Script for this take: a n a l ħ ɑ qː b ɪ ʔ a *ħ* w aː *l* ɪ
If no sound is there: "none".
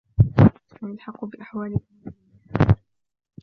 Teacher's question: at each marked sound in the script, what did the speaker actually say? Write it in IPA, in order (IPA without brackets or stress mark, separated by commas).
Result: ħ, l